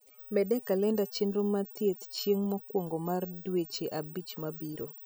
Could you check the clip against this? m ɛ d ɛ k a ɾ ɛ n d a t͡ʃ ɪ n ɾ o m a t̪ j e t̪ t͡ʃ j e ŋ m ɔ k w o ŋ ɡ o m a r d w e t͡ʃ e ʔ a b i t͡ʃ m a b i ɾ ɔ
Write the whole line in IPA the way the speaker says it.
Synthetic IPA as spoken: m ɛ d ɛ k a l ɛ n d a t͡ʃ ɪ n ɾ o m a t̪ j e t̪ t͡ʃ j e ŋ m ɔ k w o ŋ ɡ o m a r d w e t͡ʃ e ʔ a b i t͡ʃ m a b i ɾ o